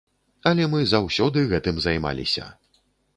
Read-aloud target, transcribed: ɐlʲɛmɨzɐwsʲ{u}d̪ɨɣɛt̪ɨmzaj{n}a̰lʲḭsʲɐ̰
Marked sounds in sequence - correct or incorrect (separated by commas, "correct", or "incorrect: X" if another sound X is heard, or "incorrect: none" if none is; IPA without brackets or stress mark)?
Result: incorrect: ɔ, incorrect: m